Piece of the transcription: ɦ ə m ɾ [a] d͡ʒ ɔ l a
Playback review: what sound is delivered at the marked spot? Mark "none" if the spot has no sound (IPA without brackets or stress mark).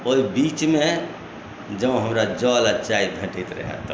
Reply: a